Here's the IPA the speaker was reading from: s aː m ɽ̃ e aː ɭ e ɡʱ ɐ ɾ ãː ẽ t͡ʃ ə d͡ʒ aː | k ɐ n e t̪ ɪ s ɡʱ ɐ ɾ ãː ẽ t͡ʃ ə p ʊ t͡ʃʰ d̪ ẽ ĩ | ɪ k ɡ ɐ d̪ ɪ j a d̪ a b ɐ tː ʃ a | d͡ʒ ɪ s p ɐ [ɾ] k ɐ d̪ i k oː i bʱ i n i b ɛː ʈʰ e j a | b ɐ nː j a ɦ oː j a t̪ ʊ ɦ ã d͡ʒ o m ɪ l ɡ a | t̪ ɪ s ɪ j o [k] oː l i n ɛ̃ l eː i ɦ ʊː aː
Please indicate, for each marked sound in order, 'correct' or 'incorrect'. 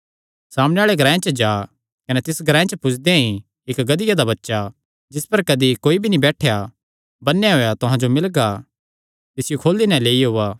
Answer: correct, incorrect

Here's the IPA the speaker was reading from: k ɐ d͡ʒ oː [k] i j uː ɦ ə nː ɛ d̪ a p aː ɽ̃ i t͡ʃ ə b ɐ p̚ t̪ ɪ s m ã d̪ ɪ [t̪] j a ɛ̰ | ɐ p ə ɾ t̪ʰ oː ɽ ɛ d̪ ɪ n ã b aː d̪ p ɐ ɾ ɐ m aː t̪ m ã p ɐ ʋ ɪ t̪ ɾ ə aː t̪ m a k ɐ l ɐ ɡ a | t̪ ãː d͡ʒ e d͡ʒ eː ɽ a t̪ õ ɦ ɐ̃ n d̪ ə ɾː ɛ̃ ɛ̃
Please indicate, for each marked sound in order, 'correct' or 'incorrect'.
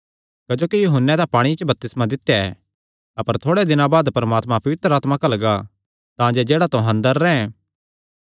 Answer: correct, correct

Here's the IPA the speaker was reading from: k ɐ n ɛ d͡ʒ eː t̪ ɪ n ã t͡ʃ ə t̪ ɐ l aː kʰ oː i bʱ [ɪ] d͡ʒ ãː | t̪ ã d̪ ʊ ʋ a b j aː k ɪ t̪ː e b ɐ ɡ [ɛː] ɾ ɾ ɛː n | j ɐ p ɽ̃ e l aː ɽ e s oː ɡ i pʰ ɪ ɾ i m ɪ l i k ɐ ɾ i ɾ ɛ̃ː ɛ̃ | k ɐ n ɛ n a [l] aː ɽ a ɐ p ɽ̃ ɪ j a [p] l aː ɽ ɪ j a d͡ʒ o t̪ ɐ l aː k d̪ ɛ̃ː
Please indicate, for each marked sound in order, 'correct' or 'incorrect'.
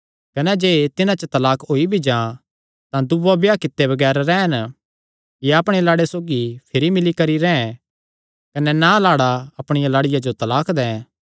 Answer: incorrect, correct, correct, incorrect

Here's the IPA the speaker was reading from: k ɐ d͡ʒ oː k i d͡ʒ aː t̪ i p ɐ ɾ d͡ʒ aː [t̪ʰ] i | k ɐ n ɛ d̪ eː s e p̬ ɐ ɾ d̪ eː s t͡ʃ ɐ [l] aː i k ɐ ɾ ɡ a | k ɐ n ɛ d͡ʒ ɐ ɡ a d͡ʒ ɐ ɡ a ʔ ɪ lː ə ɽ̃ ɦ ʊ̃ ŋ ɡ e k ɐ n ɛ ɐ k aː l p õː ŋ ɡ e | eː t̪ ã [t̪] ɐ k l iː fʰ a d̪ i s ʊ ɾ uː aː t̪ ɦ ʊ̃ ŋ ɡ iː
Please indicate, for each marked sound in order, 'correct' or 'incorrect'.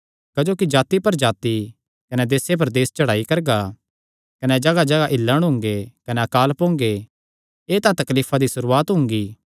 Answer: incorrect, incorrect, correct

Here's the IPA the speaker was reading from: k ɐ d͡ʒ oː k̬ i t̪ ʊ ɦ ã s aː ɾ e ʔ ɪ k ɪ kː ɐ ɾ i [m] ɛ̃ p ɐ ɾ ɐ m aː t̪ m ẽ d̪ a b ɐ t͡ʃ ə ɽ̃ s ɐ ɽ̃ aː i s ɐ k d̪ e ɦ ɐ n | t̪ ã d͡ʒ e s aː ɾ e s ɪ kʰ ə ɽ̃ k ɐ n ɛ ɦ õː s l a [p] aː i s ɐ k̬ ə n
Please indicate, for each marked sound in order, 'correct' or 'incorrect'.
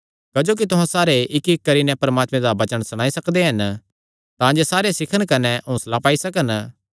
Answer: incorrect, correct

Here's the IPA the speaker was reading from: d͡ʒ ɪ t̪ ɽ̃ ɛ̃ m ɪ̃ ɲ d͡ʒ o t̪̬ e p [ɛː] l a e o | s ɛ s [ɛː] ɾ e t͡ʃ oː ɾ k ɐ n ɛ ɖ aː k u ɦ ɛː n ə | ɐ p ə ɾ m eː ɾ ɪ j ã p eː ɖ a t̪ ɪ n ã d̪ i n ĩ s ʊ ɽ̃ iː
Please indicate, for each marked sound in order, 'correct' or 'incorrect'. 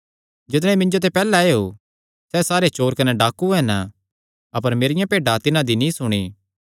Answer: correct, incorrect

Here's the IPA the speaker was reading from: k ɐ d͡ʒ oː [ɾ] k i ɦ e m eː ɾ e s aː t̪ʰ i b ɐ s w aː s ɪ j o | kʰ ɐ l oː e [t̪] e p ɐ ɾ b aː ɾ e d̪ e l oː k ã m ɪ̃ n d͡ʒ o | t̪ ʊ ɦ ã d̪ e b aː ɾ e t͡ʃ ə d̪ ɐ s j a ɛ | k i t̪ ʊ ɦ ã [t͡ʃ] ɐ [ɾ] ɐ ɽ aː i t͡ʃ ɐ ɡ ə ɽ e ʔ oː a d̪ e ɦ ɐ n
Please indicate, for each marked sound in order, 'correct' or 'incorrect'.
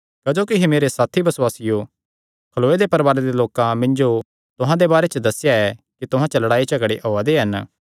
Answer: incorrect, incorrect, correct, incorrect

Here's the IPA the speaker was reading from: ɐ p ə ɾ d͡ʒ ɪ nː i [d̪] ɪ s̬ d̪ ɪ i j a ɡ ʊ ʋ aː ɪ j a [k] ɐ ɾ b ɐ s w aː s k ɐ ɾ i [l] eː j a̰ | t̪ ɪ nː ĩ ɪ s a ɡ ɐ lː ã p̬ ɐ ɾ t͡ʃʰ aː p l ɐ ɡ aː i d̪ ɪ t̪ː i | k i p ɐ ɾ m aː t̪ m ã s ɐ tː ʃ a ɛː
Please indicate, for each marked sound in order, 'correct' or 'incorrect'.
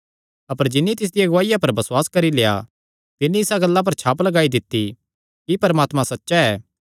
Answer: incorrect, incorrect, correct

